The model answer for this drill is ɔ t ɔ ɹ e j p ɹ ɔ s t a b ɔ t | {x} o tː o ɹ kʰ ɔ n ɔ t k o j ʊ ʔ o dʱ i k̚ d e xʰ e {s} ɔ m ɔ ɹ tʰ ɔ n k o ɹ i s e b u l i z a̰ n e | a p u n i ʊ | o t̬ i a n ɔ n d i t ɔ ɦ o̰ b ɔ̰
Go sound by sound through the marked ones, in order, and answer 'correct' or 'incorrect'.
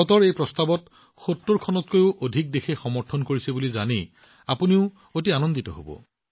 correct, incorrect: x

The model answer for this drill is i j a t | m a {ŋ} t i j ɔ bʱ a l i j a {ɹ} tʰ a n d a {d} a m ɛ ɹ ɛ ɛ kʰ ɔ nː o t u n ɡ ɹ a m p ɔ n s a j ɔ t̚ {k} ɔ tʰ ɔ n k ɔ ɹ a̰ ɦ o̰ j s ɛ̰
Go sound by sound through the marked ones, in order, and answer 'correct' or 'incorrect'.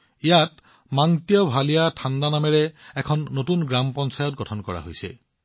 correct, incorrect: none, incorrect: n, incorrect: ɡ

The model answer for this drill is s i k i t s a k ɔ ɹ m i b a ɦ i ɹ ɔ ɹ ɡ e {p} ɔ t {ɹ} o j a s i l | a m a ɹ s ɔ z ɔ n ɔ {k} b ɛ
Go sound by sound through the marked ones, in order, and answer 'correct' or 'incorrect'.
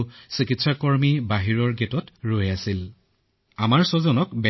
incorrect: t, correct, correct

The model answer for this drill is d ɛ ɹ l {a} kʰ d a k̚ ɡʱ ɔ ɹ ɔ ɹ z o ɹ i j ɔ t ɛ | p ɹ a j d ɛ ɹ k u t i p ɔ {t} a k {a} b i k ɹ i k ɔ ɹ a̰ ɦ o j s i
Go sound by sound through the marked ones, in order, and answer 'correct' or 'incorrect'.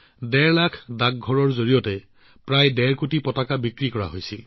correct, correct, correct

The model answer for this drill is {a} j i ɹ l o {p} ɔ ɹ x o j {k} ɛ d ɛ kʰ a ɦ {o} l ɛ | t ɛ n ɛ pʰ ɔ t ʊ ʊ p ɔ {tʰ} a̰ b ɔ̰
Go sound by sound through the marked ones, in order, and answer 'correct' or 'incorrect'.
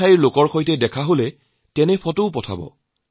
correct, incorrect: k, incorrect: t, correct, correct

